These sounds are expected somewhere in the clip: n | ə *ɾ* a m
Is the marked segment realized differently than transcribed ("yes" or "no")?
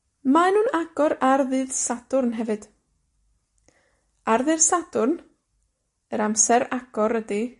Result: no